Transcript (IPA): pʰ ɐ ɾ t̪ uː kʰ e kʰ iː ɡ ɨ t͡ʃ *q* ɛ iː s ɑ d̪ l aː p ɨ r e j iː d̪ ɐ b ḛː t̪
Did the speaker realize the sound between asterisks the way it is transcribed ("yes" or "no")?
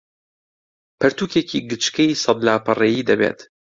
no